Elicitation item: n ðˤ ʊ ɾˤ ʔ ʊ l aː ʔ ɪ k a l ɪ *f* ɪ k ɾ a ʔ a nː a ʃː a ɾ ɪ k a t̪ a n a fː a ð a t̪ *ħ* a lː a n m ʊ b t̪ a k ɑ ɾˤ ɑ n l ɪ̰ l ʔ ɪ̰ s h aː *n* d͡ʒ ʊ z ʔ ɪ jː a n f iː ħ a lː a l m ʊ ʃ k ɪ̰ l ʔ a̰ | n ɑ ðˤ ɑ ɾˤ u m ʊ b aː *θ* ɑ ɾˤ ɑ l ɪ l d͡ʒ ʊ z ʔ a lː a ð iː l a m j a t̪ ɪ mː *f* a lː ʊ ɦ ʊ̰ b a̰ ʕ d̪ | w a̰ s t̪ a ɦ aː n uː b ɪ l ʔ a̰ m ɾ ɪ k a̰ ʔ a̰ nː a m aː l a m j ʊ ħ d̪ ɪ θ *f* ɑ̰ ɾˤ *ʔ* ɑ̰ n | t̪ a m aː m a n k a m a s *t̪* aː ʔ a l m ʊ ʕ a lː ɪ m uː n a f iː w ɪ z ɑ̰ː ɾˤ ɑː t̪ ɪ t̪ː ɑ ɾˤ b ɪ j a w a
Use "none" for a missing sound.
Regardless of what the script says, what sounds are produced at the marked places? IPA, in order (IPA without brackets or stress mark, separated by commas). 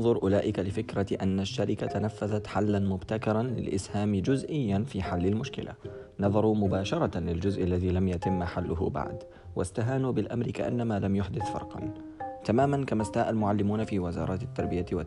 f, ħ, m, ʃ, ħ, f, q, t̪